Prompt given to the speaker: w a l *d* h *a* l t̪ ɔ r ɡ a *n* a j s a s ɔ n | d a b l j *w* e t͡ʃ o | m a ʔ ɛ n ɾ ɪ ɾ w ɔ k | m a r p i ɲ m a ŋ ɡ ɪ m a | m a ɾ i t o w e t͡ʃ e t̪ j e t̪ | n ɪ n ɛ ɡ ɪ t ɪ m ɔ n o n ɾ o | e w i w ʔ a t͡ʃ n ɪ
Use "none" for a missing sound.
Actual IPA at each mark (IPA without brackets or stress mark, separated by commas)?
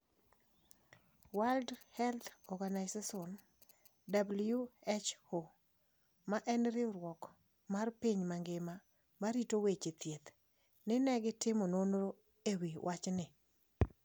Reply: d, ɛ, n, u